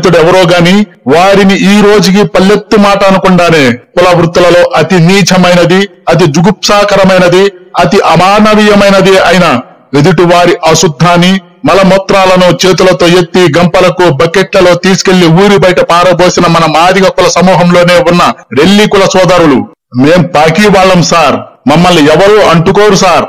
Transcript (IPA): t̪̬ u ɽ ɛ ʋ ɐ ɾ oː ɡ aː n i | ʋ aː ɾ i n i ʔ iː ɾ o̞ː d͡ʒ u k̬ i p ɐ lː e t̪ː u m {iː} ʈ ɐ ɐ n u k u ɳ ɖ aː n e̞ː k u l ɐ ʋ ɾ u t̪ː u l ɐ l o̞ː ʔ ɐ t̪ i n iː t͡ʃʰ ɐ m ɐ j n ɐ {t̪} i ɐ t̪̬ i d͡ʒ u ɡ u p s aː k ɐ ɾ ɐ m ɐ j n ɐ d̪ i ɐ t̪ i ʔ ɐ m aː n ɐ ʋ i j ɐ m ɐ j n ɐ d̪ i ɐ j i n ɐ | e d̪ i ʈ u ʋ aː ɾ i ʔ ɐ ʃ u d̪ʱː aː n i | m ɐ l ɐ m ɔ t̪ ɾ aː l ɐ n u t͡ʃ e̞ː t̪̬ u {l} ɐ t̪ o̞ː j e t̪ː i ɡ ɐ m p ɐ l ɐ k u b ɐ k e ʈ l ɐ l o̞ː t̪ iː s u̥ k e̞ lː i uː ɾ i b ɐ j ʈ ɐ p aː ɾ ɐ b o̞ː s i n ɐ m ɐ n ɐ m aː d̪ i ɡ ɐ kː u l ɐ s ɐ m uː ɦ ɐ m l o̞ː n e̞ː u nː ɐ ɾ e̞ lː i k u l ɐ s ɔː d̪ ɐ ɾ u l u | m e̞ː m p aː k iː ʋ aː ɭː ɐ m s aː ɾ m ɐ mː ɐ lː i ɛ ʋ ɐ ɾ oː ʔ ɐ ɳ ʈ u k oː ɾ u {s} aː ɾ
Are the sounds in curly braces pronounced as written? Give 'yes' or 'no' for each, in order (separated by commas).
no, no, yes, yes